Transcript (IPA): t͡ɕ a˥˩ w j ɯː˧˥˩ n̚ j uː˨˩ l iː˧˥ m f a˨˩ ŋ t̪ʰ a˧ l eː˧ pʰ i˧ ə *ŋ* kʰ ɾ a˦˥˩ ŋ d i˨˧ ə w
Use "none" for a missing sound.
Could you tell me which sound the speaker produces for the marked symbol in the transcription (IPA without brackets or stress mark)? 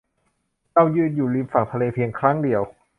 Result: ŋ